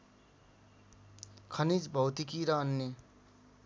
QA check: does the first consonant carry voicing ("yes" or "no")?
no